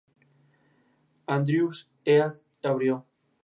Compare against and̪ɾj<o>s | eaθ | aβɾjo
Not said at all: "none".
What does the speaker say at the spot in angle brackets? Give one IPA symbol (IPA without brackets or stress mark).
u